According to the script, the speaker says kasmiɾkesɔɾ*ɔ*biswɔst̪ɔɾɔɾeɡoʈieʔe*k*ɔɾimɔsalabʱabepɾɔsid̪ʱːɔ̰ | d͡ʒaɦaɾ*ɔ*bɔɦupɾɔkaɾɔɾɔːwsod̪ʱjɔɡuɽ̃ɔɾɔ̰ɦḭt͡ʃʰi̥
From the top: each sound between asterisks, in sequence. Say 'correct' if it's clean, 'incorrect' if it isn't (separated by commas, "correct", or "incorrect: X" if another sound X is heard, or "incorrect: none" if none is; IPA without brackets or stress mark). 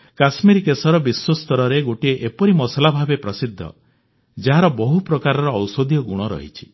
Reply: correct, incorrect: p, correct